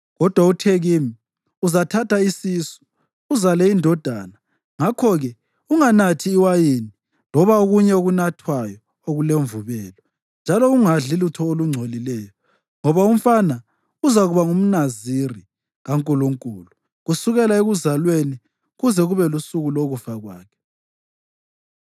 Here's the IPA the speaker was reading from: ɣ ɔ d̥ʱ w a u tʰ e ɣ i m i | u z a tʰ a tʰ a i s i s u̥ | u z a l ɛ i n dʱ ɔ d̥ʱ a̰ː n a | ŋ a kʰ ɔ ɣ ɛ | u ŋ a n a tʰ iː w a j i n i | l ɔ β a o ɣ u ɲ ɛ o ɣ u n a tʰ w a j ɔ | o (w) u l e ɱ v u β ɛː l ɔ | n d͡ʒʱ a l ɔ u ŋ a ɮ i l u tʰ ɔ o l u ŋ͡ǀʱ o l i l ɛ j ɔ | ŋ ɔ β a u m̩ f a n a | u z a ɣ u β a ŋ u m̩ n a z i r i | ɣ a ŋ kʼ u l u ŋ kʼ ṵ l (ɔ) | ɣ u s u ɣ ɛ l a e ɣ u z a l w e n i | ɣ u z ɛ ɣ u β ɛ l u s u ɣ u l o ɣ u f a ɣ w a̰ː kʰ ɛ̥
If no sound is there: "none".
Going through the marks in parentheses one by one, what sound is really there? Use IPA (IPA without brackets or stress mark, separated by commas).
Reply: ɣ, u